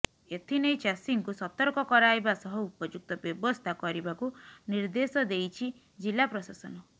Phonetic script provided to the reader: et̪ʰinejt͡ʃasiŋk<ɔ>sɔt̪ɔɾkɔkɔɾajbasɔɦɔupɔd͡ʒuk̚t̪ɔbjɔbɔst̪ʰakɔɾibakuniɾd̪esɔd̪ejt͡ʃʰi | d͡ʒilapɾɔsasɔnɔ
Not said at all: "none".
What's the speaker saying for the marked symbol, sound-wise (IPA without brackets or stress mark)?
u